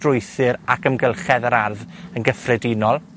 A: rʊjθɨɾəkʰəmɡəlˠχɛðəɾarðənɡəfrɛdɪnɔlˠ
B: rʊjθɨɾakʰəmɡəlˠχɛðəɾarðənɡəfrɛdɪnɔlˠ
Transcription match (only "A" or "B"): B